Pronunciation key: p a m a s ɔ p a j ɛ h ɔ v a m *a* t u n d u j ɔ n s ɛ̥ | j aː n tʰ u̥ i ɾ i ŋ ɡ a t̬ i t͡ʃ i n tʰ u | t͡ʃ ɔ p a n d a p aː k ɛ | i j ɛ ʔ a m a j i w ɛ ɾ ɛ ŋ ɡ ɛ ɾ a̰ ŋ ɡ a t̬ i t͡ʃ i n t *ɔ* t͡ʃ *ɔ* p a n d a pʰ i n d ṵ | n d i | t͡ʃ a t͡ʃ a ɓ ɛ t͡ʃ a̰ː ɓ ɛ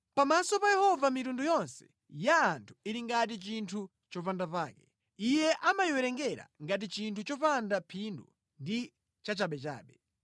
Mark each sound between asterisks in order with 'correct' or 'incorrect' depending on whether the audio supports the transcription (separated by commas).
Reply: incorrect, incorrect, correct